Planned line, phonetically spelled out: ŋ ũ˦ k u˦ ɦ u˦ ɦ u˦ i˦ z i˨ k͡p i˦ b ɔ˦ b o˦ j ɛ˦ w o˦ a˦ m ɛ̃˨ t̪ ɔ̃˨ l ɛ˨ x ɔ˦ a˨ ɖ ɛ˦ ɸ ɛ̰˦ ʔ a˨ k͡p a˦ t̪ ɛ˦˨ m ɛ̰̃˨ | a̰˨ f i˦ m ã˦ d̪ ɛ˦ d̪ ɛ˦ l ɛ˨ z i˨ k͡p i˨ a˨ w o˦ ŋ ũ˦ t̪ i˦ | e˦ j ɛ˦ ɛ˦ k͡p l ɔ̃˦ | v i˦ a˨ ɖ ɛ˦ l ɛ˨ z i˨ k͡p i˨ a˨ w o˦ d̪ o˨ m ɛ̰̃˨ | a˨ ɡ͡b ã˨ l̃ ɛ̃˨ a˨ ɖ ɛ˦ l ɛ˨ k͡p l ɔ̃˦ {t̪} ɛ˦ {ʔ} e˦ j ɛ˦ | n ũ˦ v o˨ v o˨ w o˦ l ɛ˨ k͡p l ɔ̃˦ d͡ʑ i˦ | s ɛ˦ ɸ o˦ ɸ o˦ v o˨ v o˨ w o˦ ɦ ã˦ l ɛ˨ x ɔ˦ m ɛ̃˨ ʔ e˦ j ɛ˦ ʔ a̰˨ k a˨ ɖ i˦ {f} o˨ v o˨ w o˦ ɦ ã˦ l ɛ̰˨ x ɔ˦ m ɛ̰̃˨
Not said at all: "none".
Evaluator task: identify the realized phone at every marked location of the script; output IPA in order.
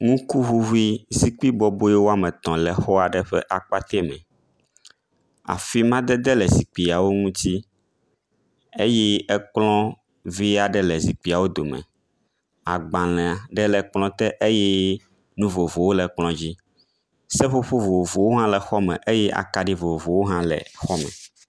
t̪, ʔ, v

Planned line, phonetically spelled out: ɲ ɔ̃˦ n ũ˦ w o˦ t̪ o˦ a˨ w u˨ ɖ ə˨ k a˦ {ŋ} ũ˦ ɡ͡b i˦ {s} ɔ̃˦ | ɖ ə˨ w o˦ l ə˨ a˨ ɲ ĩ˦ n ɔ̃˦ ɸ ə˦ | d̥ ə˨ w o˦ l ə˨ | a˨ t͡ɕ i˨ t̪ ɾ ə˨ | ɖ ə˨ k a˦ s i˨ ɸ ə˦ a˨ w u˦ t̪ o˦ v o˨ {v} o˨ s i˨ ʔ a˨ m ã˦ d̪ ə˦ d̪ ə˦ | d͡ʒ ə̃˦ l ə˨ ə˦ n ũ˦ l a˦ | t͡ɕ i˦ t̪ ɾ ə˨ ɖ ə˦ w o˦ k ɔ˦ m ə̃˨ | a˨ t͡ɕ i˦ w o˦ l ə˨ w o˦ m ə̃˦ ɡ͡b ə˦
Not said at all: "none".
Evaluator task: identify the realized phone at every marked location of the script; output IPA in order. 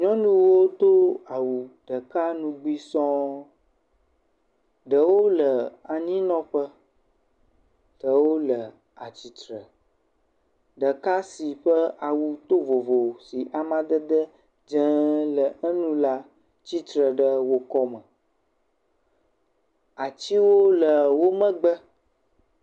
n, s, v

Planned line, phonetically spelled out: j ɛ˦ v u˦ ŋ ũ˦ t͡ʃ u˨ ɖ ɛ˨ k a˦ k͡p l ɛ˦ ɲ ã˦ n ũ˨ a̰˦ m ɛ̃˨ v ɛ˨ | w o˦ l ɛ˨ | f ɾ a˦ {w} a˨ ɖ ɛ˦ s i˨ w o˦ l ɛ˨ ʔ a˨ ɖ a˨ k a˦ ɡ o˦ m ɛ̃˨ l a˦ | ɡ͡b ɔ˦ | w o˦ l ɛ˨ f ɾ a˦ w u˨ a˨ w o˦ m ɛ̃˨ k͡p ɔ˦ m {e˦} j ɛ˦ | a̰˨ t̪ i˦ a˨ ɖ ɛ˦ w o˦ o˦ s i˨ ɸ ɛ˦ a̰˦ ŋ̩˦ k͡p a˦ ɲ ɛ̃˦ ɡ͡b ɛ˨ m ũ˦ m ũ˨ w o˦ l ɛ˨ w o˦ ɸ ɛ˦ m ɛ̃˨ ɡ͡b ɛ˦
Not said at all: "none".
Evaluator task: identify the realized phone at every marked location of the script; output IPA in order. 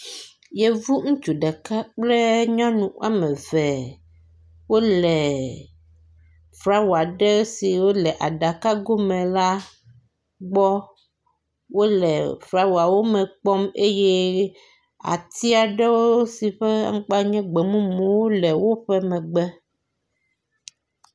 w, e˦

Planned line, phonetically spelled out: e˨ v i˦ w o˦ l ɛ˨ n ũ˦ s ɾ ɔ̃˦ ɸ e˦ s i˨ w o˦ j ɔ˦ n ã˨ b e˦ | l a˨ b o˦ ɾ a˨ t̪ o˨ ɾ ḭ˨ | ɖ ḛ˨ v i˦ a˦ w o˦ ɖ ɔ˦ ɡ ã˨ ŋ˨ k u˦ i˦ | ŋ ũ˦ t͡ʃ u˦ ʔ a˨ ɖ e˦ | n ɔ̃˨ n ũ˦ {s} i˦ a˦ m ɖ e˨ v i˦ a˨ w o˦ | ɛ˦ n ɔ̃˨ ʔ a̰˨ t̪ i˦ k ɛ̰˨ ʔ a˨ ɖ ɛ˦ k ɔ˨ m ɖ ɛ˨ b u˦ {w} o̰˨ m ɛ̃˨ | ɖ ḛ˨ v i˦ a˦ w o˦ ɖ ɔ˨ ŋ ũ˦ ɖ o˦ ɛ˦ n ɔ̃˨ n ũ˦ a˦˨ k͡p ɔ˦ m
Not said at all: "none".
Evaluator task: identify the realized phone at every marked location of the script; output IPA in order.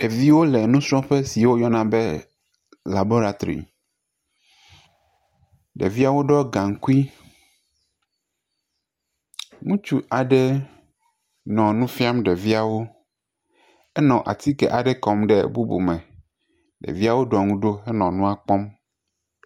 f, b

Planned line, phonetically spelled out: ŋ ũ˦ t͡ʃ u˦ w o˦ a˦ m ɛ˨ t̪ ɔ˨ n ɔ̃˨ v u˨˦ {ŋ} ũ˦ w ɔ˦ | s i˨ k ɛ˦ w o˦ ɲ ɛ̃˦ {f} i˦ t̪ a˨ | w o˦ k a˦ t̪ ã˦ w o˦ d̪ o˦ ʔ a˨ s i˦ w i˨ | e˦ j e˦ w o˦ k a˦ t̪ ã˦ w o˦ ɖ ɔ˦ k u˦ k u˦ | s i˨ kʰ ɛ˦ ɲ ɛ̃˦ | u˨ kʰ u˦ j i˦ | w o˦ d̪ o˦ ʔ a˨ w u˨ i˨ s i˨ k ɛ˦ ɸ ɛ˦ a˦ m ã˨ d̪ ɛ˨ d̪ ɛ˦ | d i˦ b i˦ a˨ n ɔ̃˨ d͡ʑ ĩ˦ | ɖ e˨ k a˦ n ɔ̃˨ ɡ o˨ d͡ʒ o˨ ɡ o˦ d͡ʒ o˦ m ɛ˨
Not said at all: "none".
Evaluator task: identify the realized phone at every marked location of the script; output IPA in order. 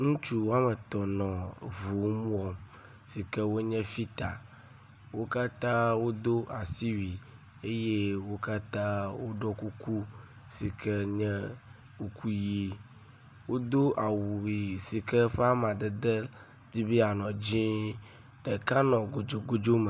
m, f

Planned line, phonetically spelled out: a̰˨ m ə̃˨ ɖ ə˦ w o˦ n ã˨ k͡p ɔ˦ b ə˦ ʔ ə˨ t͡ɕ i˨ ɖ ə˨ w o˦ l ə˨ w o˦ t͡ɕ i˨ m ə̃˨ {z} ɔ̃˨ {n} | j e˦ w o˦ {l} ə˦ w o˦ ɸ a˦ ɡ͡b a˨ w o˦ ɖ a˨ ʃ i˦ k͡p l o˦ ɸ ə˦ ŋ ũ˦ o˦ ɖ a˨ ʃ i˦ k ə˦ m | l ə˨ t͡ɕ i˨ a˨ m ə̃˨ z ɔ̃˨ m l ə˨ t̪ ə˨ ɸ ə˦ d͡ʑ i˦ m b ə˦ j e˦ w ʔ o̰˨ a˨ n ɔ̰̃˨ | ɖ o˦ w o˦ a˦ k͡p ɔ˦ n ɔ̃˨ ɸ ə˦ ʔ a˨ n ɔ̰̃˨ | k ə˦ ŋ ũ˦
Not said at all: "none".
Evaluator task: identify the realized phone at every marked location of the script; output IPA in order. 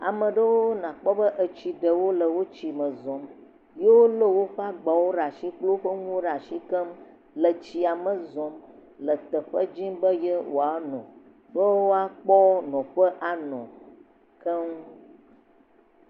z, m, l

